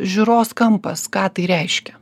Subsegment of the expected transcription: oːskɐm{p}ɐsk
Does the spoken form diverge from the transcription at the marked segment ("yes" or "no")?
no